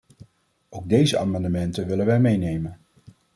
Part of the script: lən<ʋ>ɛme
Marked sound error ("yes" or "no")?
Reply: no